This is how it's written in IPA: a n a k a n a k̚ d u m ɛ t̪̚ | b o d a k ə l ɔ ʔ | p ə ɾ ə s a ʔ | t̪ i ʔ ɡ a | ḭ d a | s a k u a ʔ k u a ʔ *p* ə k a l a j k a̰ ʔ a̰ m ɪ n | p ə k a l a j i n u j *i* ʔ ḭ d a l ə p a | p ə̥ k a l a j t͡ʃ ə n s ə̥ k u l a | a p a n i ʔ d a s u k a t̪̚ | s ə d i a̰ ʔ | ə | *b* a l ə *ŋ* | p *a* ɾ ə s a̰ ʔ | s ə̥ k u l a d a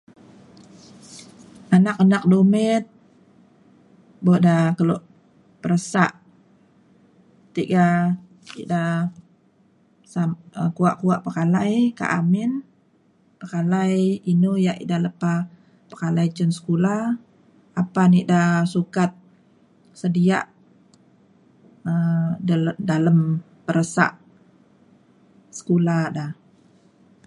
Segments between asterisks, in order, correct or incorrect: correct, incorrect: a, incorrect: d, incorrect: m, incorrect: ə

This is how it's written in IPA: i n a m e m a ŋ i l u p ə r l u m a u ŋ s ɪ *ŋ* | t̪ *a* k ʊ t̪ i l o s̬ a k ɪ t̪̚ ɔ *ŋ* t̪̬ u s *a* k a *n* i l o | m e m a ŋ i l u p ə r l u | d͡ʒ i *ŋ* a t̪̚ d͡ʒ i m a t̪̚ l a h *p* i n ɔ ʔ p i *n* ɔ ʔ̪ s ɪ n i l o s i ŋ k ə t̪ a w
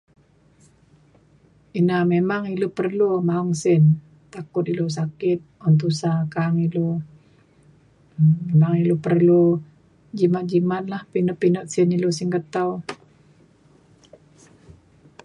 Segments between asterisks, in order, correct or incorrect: incorrect: n, correct, incorrect: n, correct, incorrect: ŋ, incorrect: m, correct, correct

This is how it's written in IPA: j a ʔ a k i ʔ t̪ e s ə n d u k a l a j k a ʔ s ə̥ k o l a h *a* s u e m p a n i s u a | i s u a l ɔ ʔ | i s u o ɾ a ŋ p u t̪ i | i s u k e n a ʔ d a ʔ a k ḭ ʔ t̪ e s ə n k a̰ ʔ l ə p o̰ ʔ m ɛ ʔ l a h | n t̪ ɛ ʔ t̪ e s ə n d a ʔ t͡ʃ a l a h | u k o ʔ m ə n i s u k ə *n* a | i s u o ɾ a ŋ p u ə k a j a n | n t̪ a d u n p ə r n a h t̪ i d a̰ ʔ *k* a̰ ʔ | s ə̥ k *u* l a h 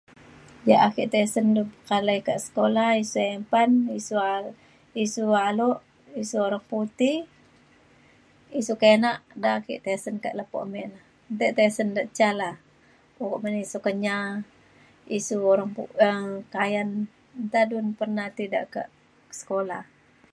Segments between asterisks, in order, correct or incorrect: incorrect: i, incorrect: ɲ, correct, incorrect: o

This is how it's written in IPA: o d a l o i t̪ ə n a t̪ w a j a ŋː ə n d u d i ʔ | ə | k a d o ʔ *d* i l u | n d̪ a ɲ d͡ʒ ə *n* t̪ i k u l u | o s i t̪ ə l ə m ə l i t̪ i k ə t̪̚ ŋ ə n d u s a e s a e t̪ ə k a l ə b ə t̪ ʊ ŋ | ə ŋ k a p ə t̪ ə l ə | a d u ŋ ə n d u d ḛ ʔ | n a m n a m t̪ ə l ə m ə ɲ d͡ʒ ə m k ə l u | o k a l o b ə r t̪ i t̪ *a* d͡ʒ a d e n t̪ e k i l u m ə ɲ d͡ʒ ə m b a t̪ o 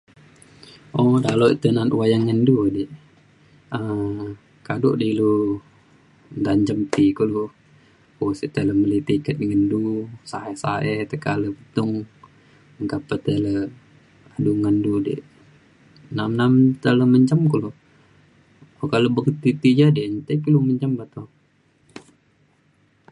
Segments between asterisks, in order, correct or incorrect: correct, incorrect: m, incorrect: i

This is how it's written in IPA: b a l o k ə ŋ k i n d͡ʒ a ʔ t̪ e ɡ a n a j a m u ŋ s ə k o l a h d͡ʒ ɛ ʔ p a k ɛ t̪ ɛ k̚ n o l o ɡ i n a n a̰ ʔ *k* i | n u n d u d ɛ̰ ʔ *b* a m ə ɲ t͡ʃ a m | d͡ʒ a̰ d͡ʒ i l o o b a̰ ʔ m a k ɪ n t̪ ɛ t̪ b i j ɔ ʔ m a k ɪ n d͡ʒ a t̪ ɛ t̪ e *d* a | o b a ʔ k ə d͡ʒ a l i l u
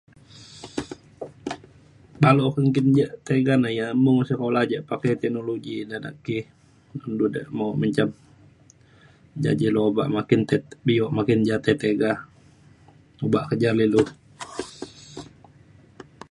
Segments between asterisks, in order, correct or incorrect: correct, incorrect: m, incorrect: ɡ

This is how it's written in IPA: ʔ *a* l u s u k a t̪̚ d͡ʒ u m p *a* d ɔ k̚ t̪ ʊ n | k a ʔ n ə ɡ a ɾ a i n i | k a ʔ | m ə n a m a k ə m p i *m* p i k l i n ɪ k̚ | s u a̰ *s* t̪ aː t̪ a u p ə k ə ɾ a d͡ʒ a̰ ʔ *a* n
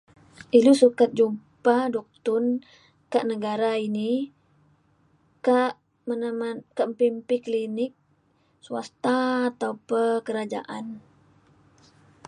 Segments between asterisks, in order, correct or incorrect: incorrect: i, correct, correct, correct, correct

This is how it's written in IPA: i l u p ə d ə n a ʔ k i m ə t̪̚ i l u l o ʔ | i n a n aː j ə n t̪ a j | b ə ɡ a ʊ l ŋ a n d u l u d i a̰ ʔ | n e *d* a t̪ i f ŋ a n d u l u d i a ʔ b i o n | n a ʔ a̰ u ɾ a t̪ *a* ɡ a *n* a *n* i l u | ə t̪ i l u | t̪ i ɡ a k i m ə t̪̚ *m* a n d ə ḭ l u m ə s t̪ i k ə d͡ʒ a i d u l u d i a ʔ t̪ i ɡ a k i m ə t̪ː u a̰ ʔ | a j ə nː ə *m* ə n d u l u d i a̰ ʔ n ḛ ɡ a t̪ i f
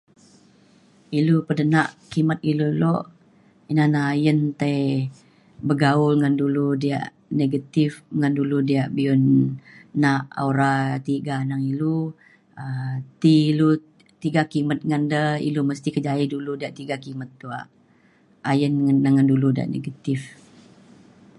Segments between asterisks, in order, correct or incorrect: incorrect: ɡ, incorrect: i, correct, incorrect: ŋ, incorrect: ŋ, incorrect: ŋ

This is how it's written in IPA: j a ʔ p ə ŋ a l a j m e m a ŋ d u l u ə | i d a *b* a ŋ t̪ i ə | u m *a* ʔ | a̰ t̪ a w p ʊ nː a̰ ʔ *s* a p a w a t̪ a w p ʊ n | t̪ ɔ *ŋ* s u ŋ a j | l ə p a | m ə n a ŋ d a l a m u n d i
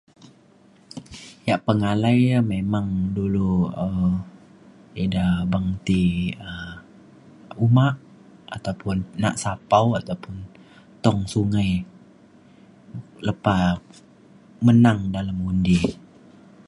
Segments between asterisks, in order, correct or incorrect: correct, correct, correct, correct

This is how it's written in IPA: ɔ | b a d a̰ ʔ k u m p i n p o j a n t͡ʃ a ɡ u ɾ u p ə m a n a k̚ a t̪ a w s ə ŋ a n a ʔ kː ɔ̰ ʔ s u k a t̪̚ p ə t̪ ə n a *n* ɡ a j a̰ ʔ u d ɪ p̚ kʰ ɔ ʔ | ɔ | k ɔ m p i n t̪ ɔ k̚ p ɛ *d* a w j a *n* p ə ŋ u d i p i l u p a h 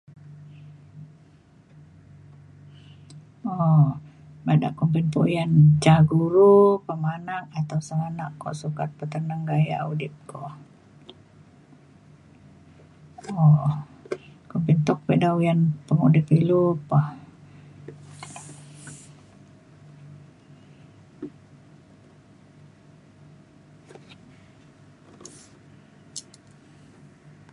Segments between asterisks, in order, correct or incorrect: incorrect: ŋ, correct, correct

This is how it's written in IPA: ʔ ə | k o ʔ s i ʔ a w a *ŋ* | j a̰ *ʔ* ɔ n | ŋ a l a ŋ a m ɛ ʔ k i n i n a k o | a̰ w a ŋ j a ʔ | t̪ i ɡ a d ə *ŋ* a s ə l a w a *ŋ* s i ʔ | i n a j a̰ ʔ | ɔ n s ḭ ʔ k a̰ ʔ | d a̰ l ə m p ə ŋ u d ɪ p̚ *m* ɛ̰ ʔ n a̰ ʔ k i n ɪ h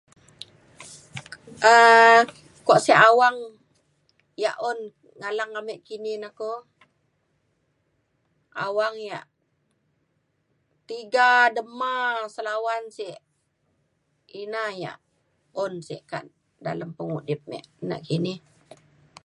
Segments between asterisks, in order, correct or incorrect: correct, correct, incorrect: m, incorrect: n, correct

